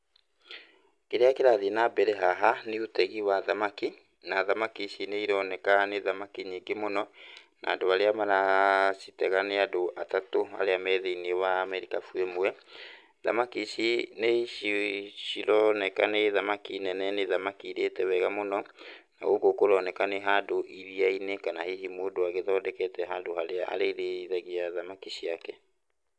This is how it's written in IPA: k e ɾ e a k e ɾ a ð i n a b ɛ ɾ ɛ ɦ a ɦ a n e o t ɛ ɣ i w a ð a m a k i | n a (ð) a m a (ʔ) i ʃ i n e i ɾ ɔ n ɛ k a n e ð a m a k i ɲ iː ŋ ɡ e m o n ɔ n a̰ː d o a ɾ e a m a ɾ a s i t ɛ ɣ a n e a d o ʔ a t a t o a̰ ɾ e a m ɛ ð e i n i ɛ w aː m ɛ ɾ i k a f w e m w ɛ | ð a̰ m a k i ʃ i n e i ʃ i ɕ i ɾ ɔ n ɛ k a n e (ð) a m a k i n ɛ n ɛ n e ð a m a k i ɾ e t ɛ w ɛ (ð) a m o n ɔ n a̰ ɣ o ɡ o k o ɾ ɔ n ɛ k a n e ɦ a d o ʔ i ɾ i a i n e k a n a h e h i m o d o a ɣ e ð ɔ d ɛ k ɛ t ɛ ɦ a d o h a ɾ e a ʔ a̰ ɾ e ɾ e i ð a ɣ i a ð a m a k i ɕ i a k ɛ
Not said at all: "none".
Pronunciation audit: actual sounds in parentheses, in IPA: ð, k, ð, ɣ

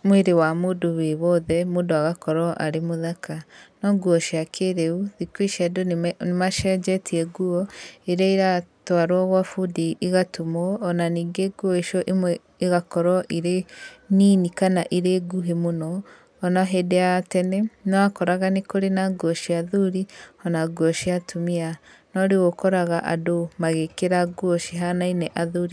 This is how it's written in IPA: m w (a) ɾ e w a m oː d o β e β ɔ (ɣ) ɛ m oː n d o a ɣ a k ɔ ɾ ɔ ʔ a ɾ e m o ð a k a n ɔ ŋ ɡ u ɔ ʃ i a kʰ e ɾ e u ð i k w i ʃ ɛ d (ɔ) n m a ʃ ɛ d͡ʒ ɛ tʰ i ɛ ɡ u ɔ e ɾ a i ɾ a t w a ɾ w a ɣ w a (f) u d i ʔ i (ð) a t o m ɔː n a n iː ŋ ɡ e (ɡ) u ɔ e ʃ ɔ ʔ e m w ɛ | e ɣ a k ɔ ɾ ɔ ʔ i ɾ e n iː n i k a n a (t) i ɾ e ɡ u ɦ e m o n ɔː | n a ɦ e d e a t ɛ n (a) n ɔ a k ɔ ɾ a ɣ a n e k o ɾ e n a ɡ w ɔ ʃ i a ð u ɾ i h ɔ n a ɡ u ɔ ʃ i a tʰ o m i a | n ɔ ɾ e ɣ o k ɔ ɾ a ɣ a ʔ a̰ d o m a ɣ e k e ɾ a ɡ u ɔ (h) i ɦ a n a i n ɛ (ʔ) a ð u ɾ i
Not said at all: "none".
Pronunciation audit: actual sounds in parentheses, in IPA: e, ð, o, f, ɣ, ɡ, ʔ, ɛ, ʃ, ʔ

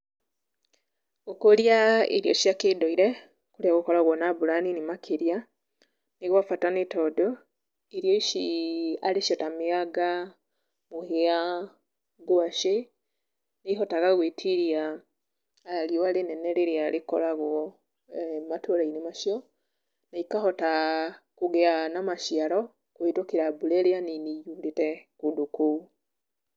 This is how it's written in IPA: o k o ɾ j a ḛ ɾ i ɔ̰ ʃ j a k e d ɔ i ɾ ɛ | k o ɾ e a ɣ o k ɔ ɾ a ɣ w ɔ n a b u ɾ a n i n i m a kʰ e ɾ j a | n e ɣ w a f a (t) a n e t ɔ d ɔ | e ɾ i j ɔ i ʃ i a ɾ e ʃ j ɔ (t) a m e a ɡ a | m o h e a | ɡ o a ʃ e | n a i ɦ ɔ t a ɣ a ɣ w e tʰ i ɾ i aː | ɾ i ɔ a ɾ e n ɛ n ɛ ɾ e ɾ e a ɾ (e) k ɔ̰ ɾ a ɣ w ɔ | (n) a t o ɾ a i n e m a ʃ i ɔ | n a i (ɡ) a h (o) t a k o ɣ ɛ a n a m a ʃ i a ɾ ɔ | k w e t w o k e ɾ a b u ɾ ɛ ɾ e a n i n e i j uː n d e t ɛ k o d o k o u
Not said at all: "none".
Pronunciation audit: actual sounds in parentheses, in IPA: t, t, e, m, k, ɔ

